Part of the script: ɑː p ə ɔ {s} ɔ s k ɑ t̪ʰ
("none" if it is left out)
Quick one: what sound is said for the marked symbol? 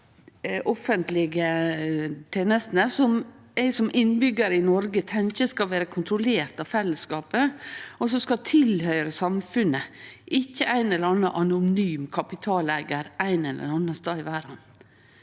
s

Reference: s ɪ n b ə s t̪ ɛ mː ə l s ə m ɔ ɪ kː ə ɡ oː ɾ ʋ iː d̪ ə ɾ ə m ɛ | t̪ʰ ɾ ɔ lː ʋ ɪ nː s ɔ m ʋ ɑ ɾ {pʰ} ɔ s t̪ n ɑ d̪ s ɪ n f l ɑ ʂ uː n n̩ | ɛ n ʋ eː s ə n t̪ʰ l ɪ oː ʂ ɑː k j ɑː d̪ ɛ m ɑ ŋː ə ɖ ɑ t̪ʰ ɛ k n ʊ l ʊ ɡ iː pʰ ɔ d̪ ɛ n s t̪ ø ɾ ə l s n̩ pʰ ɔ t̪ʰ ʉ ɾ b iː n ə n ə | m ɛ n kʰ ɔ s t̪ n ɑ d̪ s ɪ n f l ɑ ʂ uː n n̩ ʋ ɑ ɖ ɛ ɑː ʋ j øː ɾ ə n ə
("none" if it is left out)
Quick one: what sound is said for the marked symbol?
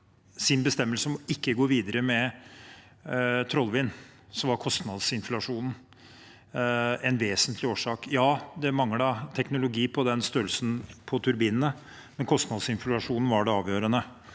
kʰ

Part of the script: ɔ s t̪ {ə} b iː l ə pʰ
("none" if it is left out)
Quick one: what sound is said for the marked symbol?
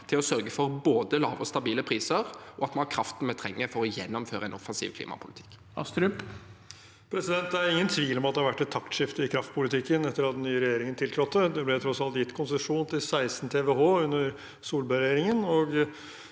ɑ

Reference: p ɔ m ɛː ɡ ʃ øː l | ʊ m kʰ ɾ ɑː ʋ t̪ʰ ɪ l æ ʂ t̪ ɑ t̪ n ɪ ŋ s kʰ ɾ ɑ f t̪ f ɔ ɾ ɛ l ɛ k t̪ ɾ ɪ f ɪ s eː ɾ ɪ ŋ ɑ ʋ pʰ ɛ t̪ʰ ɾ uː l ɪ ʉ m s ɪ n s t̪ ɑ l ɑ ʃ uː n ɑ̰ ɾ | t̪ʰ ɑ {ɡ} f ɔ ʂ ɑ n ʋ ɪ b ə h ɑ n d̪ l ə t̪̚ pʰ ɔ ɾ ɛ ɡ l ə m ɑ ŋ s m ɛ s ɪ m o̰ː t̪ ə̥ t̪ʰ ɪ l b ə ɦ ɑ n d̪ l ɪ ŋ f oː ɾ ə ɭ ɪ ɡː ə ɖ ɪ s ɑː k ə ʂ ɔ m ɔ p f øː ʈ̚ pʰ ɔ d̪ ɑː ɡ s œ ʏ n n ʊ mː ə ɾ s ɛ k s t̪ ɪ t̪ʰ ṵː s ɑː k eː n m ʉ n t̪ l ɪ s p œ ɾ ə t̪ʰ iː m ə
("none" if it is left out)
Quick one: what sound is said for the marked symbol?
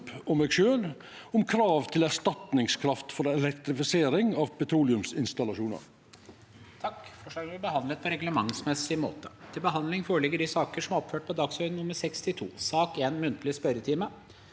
k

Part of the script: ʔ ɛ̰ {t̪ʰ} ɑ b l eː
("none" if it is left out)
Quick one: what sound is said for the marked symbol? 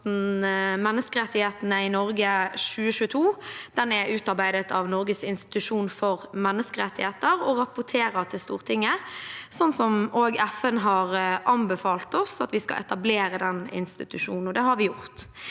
t̪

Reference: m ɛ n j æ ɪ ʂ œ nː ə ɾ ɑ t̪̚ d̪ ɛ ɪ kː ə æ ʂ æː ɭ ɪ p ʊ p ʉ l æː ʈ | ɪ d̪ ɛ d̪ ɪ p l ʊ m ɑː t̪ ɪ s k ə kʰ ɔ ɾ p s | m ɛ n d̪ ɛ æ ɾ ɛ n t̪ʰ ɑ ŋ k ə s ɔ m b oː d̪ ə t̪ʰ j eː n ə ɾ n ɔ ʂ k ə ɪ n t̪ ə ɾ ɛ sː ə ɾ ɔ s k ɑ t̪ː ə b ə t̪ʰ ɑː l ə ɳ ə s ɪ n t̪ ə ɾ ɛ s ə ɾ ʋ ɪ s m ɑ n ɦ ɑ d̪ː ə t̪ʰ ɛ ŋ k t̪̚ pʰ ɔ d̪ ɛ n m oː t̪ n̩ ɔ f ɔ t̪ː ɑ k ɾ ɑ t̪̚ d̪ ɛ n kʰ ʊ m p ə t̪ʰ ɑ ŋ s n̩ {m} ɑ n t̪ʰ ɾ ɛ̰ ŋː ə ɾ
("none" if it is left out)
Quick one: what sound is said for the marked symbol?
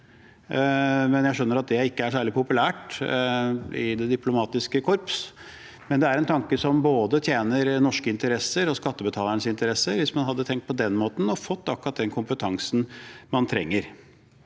m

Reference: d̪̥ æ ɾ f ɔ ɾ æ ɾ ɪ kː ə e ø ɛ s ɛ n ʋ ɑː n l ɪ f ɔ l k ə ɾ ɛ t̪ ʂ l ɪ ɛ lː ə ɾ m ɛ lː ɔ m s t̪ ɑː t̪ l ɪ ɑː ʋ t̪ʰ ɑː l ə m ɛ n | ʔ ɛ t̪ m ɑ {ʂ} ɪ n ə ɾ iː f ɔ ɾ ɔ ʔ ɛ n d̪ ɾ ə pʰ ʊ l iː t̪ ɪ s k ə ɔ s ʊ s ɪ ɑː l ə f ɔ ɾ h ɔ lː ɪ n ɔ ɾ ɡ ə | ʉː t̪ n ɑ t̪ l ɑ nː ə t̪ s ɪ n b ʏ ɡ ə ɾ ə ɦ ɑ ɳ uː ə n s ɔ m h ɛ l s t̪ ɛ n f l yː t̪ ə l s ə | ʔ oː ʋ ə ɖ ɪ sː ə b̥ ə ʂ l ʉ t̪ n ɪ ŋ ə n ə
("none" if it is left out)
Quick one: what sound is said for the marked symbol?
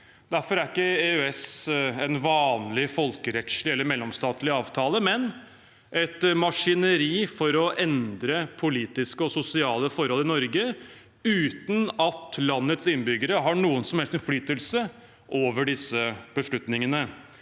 ʂ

